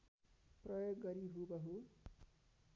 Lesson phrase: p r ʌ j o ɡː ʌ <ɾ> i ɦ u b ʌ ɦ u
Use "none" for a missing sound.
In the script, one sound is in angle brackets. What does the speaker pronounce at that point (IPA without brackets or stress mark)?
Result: ɾ